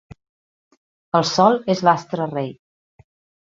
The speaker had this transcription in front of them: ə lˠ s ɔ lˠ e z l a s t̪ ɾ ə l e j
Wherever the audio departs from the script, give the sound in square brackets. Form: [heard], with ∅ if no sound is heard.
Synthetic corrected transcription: ə lˠ s ɔ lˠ e z l a s t̪ ɾ ə [r] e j